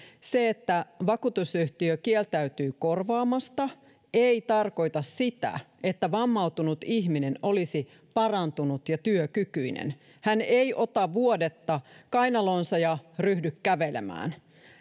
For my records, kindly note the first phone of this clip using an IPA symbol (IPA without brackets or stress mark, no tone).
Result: s